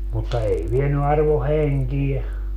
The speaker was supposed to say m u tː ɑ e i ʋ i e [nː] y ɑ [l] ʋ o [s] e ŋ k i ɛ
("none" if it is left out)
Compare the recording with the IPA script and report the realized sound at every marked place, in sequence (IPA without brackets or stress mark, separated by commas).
n, r, h